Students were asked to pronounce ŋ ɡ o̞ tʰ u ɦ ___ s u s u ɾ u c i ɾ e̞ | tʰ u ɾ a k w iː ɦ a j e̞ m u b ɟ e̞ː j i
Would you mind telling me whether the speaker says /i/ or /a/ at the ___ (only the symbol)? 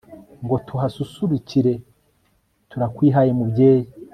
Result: a